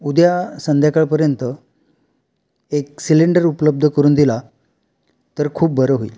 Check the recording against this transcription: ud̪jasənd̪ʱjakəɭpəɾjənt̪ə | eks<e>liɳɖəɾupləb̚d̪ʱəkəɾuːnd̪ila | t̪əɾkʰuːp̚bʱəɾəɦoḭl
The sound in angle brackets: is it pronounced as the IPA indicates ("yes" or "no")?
no